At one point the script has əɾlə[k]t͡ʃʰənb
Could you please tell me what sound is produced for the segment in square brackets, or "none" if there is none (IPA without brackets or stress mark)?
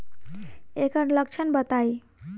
k